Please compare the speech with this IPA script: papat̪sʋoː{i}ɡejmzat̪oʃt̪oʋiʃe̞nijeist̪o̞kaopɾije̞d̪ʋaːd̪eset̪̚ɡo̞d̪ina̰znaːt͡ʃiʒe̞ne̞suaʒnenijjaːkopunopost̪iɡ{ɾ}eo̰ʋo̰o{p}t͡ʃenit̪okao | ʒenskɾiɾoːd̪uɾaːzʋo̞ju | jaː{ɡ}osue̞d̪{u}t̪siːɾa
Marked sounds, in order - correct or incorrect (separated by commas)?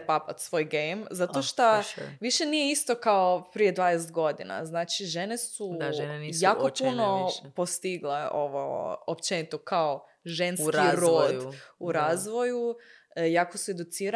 incorrect, incorrect, correct, incorrect, correct